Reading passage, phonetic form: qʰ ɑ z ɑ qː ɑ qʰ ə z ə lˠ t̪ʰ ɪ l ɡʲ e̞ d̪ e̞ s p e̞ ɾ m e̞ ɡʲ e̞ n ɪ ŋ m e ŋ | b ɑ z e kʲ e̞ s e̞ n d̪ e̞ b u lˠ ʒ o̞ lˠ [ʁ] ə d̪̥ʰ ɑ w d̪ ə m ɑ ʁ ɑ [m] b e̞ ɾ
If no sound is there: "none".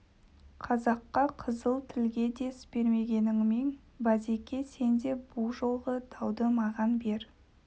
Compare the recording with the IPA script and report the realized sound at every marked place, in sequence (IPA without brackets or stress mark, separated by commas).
ʁ, n